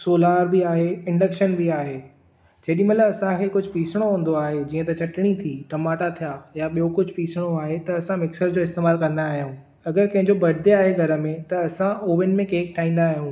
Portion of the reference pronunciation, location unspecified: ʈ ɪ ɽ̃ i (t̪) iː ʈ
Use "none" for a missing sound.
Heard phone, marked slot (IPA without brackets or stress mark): t̪ʰ